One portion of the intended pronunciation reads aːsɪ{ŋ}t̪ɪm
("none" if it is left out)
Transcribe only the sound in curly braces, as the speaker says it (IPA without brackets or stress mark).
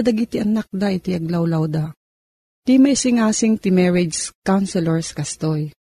ŋ